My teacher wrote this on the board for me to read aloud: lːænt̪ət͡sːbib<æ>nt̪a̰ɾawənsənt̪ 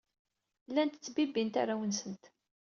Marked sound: incorrect: i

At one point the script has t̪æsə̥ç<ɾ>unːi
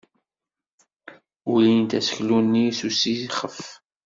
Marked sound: incorrect: l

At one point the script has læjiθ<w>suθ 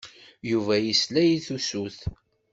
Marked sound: incorrect: u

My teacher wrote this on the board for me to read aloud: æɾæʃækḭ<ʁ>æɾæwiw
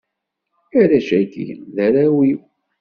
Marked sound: incorrect: ð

